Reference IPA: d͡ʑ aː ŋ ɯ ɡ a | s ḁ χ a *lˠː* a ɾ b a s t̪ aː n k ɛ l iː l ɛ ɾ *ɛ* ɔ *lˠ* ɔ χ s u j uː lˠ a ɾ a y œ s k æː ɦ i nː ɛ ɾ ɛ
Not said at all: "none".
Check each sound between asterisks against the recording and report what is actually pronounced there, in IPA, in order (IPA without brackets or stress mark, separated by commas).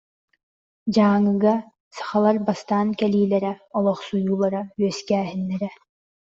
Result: lˠ, ɛ, lˠ